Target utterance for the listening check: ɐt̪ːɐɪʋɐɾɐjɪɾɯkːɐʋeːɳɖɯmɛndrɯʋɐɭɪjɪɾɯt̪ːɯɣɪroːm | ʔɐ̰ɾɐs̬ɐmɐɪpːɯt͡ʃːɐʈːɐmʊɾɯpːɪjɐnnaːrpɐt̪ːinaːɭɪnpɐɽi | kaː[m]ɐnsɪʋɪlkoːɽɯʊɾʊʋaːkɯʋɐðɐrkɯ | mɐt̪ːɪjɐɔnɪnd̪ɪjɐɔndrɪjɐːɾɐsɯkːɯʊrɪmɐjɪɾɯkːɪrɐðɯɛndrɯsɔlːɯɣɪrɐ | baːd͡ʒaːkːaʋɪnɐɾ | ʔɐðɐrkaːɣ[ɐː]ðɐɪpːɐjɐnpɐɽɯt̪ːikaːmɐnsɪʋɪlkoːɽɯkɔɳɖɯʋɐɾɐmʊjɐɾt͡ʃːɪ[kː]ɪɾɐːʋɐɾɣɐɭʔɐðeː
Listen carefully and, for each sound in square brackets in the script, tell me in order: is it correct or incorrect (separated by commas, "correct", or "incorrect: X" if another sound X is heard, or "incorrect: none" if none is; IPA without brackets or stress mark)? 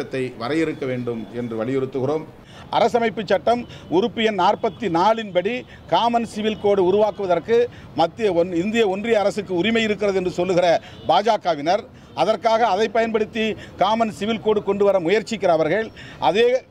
correct, correct, correct